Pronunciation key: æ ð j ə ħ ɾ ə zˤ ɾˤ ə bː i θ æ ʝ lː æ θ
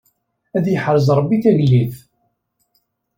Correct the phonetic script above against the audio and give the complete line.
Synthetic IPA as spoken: æ ð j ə ħ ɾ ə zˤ ɾˤ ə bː i θ æ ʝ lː i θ